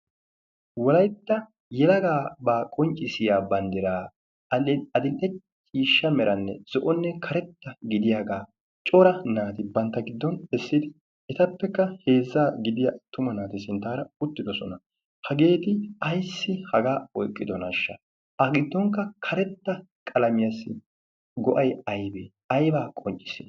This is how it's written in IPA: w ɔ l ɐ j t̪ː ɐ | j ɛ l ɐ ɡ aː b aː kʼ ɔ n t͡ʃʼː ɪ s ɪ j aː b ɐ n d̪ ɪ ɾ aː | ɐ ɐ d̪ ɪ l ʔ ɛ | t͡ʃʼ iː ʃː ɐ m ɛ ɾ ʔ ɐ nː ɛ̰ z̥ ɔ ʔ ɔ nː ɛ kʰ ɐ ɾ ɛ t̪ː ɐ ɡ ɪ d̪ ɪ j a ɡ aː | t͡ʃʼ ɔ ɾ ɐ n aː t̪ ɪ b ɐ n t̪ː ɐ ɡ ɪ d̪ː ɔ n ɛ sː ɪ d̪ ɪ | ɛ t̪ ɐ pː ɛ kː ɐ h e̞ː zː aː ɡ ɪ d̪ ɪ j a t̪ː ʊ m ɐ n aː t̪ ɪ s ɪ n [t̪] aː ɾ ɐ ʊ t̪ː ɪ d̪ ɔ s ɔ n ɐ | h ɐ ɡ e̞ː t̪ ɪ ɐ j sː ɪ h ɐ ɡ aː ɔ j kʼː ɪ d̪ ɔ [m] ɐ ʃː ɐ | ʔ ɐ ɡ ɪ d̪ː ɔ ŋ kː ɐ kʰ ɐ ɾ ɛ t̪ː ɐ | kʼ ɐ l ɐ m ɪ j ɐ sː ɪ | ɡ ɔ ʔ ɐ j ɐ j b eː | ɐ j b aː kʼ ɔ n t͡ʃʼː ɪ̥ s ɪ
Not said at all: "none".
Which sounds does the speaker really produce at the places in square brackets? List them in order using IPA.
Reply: t̪, n

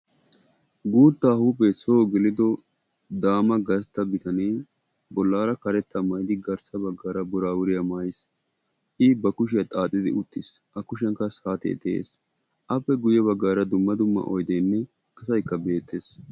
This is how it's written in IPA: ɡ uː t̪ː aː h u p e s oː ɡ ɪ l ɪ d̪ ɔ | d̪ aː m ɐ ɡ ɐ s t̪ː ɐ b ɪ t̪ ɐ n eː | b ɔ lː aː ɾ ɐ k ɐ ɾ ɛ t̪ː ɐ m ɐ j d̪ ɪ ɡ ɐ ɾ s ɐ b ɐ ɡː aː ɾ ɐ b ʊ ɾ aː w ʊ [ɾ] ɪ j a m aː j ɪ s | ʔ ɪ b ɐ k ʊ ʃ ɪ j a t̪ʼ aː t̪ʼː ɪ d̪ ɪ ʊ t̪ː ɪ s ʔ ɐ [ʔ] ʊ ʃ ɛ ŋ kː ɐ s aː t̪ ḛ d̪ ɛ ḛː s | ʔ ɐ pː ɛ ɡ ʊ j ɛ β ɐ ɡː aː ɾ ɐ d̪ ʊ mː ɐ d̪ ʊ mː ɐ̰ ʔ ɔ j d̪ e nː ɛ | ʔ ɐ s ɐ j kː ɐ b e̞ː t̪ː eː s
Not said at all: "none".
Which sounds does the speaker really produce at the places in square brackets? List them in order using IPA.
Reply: ɾ, k

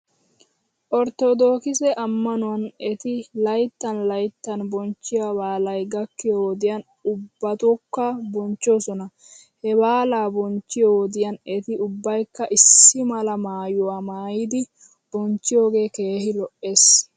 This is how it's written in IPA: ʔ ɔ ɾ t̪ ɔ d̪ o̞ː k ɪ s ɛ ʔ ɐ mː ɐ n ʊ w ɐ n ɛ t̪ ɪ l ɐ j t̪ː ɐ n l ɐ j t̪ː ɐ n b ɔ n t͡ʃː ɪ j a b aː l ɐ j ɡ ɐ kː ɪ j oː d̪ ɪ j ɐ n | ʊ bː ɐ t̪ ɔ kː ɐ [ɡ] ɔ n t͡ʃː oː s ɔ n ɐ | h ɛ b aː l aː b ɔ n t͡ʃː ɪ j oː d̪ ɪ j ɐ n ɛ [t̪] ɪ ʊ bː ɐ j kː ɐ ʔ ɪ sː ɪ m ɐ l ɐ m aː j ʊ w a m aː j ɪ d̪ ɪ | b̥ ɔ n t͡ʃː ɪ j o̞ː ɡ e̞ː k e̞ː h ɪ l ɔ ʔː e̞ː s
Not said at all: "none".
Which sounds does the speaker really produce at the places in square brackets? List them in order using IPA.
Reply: b, t̪

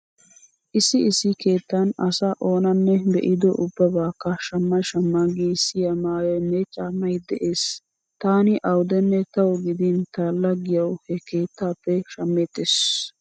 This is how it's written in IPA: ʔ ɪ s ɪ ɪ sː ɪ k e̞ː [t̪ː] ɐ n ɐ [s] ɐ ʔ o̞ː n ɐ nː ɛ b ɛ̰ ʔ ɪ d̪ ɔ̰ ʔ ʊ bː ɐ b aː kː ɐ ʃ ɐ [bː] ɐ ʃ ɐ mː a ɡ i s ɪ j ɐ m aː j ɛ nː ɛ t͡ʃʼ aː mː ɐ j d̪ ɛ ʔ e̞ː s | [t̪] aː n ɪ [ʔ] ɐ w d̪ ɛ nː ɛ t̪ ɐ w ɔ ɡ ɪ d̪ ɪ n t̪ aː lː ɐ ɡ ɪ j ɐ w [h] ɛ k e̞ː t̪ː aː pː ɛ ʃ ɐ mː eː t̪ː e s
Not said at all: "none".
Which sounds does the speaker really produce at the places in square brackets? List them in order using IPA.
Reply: t̪ː, s, mː, t̪, ʔ, h

